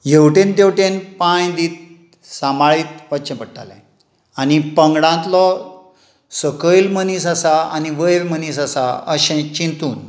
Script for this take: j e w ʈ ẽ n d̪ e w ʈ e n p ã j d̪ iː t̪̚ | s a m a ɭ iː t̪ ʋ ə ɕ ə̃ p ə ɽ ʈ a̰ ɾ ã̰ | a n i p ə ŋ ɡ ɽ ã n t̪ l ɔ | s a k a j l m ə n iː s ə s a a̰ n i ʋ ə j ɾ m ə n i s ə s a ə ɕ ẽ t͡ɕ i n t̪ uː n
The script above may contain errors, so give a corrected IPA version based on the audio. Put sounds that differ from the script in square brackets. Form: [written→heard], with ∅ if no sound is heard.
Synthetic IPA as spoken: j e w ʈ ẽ n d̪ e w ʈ e n p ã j d̪ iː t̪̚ | s a m a ɭ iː t̪ ʋ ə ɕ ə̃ p ə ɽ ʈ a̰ [ɾ→l] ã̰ | a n i p ə ŋ ɡ ɽ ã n t̪ l ɔ | s [a→ə] k [a→ə] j l m ə n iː s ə s a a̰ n i ʋ ə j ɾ m ə n i s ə s a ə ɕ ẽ t͡ɕ i n t̪ uː n